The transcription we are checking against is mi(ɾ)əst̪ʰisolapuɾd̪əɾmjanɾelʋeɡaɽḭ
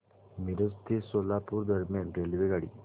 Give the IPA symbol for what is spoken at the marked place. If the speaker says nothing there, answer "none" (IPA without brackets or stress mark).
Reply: ɾ